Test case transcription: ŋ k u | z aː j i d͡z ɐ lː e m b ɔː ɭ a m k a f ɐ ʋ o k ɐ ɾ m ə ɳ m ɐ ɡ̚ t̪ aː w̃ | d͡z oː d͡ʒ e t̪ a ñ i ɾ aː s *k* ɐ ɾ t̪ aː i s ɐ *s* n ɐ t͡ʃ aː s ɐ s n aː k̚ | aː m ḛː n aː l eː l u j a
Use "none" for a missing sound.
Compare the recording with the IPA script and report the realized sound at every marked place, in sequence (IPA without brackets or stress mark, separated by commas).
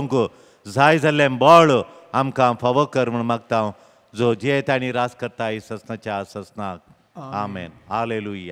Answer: k, s